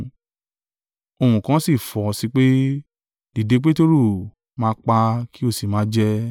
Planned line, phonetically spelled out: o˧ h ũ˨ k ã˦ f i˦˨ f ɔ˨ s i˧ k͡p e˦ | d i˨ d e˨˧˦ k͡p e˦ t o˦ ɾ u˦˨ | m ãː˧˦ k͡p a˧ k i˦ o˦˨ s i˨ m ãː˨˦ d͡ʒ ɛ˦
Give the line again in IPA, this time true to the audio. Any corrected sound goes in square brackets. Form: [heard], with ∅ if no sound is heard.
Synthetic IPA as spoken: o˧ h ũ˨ k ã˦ [s] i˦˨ f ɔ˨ s i˧ k͡p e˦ | d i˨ d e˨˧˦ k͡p e˦ t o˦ ɾ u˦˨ | m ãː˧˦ k͡p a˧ k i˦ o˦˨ s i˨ m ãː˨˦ d͡ʒ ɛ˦